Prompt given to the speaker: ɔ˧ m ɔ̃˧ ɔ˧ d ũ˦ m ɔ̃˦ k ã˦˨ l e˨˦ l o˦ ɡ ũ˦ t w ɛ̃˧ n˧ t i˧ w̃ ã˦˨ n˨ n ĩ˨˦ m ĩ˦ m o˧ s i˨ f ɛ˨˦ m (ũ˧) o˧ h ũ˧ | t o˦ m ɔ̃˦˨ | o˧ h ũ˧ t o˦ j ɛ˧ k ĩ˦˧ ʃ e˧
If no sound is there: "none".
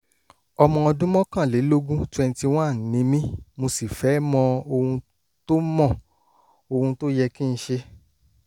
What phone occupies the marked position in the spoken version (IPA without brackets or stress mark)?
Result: ɔ̃˧